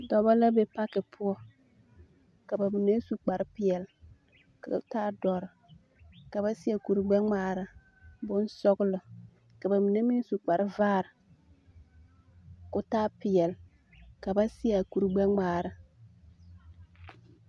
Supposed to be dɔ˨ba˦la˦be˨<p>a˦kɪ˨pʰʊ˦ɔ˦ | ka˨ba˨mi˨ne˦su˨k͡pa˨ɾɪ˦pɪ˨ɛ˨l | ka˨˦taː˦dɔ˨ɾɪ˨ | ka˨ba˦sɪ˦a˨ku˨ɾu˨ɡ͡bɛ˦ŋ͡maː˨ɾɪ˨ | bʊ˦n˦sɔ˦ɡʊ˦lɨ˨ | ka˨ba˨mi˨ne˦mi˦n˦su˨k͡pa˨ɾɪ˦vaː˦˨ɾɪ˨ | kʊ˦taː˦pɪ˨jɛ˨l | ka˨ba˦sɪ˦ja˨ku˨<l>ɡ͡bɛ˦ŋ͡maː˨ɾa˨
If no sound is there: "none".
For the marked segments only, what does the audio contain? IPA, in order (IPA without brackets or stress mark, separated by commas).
p, ɾ